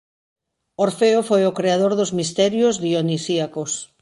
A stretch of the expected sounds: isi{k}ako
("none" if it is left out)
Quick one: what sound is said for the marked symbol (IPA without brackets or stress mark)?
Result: none